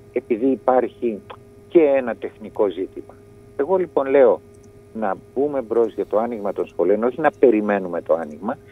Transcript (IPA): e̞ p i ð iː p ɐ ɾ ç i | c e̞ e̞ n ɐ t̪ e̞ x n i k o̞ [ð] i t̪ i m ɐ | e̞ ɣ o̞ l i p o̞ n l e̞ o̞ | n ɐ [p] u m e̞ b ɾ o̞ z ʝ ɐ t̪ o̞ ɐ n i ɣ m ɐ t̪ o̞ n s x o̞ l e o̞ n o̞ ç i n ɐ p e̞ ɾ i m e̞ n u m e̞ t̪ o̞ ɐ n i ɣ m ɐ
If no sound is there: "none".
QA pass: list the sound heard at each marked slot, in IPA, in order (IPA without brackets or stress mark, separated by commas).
z, b